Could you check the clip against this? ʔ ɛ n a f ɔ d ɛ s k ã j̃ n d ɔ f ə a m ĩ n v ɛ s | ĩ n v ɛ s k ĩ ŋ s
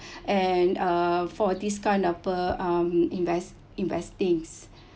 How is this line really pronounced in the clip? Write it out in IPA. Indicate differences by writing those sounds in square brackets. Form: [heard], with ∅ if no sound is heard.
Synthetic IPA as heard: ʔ ɛ n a f ɔ d [i] s k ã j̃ n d ɔ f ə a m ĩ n v ɛ s | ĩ n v ɛ s [t] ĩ ŋ s